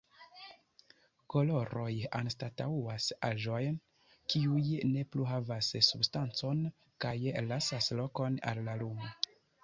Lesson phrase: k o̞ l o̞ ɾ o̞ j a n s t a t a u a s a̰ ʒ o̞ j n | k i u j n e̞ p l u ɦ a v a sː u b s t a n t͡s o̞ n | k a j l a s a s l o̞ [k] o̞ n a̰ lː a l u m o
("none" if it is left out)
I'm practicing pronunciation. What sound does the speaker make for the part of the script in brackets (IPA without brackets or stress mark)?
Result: k